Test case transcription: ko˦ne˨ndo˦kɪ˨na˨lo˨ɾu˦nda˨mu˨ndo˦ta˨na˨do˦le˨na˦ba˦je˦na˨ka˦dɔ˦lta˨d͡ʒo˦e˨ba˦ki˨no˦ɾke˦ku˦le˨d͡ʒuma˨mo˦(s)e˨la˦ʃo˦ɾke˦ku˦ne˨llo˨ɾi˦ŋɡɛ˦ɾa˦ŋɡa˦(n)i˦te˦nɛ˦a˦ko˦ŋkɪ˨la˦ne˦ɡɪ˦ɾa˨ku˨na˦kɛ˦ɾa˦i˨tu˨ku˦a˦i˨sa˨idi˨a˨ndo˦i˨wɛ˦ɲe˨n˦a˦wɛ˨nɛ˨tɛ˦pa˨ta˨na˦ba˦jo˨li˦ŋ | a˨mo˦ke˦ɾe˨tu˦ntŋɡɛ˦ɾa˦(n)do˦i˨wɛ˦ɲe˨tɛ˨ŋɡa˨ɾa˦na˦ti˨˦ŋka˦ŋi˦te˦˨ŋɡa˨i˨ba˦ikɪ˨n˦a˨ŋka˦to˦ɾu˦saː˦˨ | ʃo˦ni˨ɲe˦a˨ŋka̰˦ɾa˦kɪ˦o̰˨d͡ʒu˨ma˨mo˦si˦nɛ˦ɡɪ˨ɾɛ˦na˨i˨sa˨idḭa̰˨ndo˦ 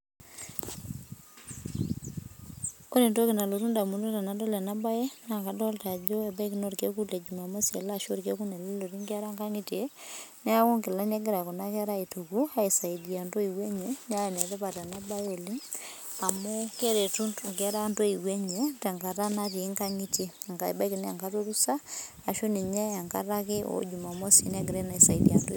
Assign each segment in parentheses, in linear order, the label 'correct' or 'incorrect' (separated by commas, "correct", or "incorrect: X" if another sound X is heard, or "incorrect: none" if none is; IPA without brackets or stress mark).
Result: correct, incorrect: ŋ, correct